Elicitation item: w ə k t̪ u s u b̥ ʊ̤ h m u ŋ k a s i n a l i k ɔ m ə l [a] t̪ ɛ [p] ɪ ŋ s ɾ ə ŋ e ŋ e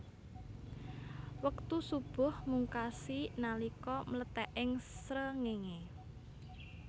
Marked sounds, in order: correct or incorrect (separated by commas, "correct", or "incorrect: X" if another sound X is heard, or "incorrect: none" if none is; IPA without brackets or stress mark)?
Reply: incorrect: ə, incorrect: ʔ